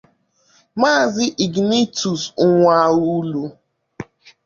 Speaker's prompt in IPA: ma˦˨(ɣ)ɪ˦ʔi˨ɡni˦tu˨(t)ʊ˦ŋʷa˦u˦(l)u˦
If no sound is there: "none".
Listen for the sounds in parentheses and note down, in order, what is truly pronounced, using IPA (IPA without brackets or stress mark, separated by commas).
z, s, l